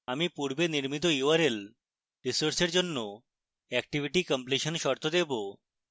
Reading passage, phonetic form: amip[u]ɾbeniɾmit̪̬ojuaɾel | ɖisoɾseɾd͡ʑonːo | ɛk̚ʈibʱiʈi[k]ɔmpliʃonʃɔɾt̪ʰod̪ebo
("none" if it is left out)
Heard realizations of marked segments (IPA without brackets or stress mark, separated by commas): u, k